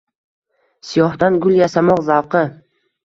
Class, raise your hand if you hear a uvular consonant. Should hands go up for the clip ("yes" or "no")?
yes